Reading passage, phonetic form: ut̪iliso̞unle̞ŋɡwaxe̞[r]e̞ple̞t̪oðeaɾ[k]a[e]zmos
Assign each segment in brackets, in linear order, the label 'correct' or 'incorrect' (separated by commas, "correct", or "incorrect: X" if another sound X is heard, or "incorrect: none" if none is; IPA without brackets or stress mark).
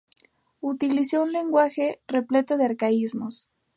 correct, correct, incorrect: i